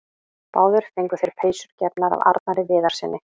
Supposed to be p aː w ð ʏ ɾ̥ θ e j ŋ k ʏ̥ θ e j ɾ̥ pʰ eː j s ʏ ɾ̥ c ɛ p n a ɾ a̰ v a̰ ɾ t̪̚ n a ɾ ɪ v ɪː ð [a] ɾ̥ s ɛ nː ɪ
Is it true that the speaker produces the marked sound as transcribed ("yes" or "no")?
yes